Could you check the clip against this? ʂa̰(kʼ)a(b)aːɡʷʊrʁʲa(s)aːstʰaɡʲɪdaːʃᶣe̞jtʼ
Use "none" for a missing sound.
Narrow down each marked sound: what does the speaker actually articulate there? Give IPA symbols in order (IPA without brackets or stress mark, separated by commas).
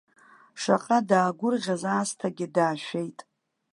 qʼ, d, z